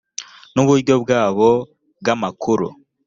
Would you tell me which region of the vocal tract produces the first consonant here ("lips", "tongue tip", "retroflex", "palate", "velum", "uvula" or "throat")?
tongue tip